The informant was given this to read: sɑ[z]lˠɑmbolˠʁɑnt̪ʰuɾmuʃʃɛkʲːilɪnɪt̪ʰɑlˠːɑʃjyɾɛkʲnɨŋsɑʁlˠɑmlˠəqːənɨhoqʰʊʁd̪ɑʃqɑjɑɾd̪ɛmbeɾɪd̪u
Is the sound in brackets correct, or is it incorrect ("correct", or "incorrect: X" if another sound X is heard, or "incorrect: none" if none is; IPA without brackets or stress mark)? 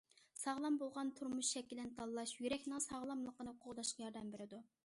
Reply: incorrect: ʁ